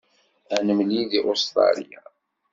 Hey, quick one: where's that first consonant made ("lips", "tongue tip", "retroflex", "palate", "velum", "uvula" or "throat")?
tongue tip